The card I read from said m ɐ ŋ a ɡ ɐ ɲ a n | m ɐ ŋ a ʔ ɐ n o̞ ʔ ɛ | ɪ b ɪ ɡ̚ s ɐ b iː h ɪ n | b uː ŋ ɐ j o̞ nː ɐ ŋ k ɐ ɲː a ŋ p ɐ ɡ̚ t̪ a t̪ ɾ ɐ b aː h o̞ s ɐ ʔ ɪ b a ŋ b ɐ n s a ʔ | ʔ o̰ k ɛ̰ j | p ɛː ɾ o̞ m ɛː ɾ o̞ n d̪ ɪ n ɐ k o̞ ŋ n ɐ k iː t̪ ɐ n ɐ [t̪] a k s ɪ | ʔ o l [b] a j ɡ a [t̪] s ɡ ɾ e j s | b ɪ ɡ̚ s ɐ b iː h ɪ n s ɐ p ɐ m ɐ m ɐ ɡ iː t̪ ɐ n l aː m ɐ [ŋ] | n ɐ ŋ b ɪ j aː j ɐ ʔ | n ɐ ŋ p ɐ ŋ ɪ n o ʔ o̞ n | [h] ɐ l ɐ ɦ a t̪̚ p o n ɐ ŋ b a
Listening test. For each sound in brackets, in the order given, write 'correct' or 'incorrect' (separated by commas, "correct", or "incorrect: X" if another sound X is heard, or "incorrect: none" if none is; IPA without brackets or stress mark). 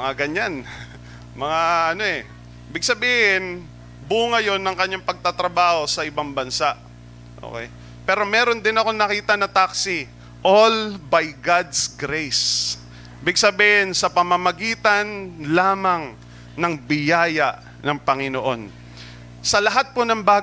correct, correct, incorrect: d̪, correct, incorrect: s